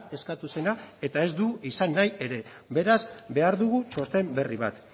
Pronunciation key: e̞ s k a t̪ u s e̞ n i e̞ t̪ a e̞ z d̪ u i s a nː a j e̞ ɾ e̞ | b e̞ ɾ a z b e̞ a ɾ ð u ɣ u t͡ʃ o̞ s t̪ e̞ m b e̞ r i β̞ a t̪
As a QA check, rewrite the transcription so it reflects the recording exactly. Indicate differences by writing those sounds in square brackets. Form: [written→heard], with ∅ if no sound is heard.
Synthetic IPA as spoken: e̞ s k a t̪ u s e̞ n [i→a] e̞ t̪ a e̞ z d̪ u i s a nː a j e̞ ɾ e̞ | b e̞ ɾ a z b e̞ a ɾ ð u ɣ u t͡ʃ o̞ s t̪ e̞ m b e̞ r i β̞ a t̪